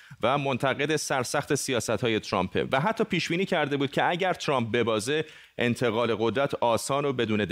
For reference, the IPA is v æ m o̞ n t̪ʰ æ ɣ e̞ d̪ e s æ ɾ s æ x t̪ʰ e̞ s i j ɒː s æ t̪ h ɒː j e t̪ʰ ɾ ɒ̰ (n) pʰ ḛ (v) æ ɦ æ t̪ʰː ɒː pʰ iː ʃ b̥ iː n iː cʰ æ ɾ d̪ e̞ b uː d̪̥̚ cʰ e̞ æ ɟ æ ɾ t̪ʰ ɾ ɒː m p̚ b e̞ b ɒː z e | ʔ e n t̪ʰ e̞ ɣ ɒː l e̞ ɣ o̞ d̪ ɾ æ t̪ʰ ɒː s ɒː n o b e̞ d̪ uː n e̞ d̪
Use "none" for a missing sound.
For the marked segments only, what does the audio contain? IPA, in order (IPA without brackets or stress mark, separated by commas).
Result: m, v